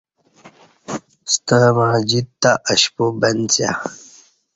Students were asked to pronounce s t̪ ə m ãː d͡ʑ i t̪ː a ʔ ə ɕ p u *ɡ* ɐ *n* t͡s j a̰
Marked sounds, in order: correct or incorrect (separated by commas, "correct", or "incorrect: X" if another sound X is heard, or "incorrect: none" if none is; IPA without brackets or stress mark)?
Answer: incorrect: b, correct